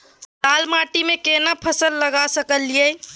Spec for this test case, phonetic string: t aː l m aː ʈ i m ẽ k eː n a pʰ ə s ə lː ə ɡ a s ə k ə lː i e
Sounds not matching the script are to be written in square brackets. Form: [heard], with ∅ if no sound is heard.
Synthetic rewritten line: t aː l m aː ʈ i m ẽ k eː n a pʰ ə s ə lː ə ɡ a s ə k ə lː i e